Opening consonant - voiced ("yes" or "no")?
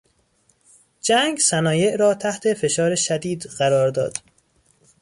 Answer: yes